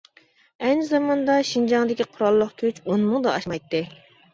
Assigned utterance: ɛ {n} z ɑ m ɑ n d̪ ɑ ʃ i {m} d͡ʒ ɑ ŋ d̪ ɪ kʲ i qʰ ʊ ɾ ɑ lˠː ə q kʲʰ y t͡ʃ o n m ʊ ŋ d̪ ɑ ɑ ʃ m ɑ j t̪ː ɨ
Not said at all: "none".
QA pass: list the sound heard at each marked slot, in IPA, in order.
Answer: n, n

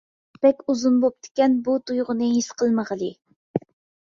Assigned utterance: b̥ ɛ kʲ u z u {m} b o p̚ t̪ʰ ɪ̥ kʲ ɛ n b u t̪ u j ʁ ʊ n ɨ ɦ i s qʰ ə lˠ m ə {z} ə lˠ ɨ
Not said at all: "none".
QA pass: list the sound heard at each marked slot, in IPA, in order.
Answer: n, ʁ

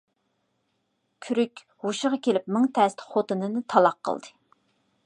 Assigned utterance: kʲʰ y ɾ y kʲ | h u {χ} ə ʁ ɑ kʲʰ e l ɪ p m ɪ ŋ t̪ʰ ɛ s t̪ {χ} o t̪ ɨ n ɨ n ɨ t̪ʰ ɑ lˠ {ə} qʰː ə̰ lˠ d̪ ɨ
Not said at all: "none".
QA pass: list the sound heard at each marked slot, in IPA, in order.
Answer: ʃ, χ, ɑ

